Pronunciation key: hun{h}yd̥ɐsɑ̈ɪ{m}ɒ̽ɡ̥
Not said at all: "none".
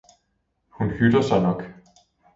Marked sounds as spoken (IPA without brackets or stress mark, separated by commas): h, n